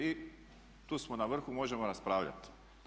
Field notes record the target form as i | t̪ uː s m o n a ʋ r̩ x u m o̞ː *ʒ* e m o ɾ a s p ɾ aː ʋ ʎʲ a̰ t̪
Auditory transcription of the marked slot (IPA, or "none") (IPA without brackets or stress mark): ʒ